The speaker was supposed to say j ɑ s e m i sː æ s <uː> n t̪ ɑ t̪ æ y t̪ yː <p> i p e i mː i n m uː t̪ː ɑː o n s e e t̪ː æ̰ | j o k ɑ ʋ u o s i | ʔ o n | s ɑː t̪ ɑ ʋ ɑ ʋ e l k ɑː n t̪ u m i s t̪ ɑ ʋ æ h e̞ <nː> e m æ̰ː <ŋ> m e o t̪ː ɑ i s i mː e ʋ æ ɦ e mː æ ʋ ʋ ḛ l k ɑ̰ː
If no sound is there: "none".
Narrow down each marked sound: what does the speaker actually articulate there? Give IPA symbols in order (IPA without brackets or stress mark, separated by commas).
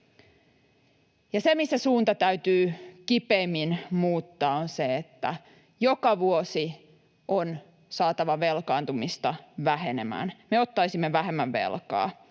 uː, k, n, n